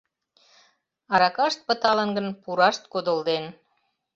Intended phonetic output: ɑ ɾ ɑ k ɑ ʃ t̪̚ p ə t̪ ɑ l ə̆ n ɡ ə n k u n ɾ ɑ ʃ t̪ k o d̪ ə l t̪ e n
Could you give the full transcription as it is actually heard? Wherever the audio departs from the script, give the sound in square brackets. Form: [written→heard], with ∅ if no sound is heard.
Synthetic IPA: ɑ ɾ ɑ k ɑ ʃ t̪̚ p ə t̪ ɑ l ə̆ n ɡ ə n [k→p] u [n→∅] ɾ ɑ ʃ t̪ k o d̪ ə l [t̪→d̪] e n